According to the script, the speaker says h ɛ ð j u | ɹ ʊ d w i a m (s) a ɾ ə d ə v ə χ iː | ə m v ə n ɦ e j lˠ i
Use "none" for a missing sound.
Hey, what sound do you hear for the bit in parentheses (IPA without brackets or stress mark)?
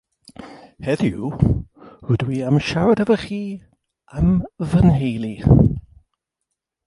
ʃ